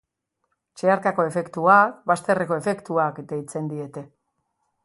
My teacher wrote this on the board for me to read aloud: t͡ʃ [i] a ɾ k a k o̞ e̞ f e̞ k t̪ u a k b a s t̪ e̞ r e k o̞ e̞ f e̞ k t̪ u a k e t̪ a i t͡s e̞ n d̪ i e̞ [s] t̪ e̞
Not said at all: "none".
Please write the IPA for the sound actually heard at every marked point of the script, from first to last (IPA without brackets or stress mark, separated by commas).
e, none